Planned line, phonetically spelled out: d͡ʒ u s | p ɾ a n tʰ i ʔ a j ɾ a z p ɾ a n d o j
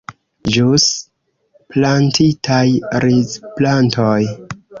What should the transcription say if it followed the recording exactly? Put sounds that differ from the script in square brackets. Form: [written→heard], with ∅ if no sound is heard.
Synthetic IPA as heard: d͡ʒ u s | p [ɾ→l] a n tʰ i [ʔ→t] a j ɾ [a→i] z p [ɾ→l] a n [d→t] o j